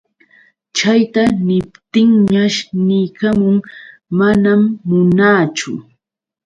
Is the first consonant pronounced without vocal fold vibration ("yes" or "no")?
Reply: yes